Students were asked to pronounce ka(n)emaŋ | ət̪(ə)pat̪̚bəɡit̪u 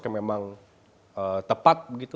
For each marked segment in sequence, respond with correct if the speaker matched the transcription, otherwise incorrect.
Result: incorrect, correct

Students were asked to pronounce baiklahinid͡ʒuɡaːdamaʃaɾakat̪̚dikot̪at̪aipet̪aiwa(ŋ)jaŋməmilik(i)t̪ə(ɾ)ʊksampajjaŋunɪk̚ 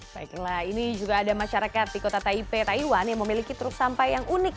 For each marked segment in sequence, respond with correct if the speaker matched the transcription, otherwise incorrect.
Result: incorrect, correct, correct

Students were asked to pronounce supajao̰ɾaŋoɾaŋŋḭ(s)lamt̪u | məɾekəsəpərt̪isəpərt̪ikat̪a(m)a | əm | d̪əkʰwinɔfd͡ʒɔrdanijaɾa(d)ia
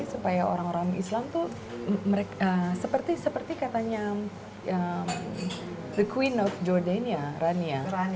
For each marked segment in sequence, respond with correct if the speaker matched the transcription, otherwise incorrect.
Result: correct, incorrect, incorrect

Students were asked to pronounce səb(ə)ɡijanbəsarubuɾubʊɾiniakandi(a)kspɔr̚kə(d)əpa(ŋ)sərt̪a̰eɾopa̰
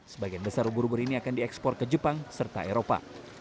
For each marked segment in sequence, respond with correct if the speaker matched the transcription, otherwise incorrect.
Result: incorrect, incorrect, incorrect, correct

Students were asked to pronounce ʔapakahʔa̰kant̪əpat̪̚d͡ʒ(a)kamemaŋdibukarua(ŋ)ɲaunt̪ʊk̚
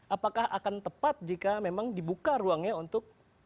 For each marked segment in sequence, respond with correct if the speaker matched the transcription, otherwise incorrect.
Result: incorrect, correct

